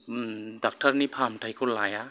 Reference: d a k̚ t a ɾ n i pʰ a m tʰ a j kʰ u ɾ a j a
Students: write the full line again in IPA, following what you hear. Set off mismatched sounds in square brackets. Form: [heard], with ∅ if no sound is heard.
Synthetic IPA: d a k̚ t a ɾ n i pʰ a m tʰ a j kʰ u [l] a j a

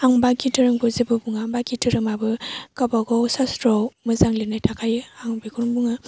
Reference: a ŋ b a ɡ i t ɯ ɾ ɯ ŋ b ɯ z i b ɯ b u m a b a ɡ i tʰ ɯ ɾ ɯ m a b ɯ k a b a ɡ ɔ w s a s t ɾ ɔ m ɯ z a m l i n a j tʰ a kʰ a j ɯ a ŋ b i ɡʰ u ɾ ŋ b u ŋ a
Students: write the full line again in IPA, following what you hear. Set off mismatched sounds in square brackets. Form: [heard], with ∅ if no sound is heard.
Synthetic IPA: a ŋ b a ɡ i t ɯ ɾ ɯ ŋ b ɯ z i b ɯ b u [ŋ] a b a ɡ i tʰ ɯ ɾ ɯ m a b ɯ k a b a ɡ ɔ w s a s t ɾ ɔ m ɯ z a [ŋ] l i n a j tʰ a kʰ a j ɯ a ŋ b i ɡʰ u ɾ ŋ b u ŋ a

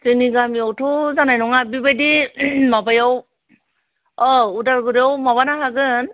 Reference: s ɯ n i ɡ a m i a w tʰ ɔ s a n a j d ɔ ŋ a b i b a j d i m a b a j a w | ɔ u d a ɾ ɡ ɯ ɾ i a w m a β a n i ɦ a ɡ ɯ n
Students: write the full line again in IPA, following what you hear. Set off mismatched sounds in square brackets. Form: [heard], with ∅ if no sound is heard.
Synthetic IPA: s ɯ n i ɡ a m i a w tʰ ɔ [z] a n a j [n] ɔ ŋ a b i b a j d i m a b a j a w | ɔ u d a ɾ ɡ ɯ ɾ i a w m a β a n [a] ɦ a ɡ ɯ n

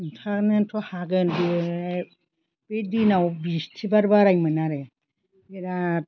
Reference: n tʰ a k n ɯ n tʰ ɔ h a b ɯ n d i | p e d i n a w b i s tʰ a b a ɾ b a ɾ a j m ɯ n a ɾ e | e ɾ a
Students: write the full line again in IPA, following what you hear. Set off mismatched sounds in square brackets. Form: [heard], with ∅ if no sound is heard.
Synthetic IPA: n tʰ a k n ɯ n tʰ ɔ h a [ɡ] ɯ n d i | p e d i n a w b i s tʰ [i] b a ɾ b a ɾ a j m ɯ n a ɾ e | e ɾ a

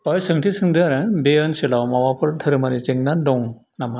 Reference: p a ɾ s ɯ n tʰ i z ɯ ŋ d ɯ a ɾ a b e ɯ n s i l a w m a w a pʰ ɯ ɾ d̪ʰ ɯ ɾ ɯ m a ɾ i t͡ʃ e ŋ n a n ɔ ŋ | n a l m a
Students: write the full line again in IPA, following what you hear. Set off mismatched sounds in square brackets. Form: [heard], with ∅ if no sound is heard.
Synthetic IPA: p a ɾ s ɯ [ŋ] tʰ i [s] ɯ ŋ d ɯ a ɾ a b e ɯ n s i l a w m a w a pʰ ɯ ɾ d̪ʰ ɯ ɾ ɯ m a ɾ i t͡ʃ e ŋ n a [d] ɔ ŋ | n a [∅] m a

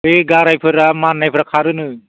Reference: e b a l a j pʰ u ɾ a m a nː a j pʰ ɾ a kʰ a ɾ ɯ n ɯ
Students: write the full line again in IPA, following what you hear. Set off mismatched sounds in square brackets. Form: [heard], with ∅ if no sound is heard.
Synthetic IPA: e [ɡ] a [ɾ] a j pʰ [ɯ] ɾ a m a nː a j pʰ ɾ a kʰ a ɾ ɯ n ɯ

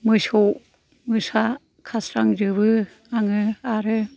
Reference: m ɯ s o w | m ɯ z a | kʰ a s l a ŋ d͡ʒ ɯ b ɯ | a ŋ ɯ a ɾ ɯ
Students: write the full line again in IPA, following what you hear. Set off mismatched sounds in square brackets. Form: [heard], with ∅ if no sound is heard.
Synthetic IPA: m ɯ s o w | m ɯ [s] a | kʰ a s [ɾ] a ŋ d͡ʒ ɯ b ɯ | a ŋ ɯ a ɾ ɯ

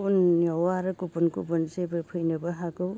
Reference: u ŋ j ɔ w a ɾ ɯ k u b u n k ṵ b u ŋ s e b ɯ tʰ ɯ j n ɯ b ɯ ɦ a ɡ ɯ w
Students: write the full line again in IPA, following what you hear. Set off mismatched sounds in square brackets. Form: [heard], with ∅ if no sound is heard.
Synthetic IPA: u [n] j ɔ w a ɾ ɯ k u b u n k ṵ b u [n] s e b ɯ [pʰ] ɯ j n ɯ b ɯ ɦ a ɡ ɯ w

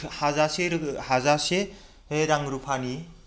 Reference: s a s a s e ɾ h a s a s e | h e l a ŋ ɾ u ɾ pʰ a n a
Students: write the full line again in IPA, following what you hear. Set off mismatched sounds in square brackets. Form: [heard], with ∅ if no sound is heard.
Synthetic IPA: [h] a [z] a s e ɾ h a [z] a s e | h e [ɾ] a ŋ ɾ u [∅] pʰ a n [i]

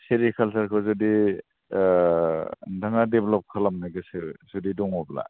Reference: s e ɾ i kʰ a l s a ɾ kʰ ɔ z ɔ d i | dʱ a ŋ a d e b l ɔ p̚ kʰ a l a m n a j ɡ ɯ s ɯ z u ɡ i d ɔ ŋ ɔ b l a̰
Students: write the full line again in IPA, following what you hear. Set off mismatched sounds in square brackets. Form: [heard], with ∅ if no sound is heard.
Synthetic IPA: s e ɾ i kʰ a l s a ɾ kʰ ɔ z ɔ d i | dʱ a ŋ a d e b l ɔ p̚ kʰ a l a m n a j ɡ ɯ s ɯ z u [d] i d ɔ ŋ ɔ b l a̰

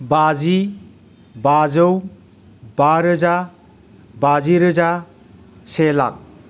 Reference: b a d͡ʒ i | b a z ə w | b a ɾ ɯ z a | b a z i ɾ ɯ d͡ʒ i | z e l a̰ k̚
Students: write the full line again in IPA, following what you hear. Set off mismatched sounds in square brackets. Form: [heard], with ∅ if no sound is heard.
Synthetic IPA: b a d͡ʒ i | b a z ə w | b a ɾ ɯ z a | b a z i ɾ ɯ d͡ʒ [a] | [s] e l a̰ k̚

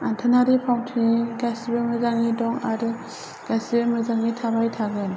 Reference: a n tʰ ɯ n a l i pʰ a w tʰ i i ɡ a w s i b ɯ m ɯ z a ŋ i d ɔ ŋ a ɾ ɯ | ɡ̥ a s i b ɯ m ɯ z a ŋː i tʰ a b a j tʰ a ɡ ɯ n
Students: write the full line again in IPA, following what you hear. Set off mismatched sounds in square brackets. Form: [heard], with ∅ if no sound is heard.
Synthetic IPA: a n tʰ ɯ n a [ɾ] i pʰ a w tʰ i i ɡ a [∅] s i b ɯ m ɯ z a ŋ i d ɔ ŋ a ɾ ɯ | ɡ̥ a s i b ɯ m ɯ z a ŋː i tʰ a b a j tʰ a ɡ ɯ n

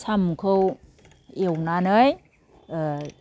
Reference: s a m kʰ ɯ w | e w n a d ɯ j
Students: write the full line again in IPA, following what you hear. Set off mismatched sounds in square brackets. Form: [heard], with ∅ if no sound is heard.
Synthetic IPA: s a m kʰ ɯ w | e w n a [n] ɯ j

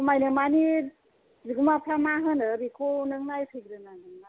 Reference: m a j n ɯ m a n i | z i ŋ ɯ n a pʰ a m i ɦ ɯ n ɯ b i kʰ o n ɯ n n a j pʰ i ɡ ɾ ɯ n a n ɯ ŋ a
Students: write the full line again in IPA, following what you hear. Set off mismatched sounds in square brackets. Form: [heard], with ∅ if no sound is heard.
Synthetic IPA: m a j n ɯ m a n i | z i [ɡ] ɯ [m] a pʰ a m [a] ɦ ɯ n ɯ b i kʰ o n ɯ [ŋ] n a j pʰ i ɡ ɾ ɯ n a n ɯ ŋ a

